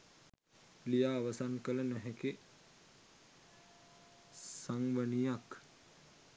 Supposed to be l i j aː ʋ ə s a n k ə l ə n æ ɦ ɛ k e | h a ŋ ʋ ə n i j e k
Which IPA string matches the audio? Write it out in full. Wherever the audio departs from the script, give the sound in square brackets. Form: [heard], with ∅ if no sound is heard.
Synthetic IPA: l i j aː ʋ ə s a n k ə l ə n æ ɦ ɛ k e | [s] a ŋ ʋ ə n i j [a] k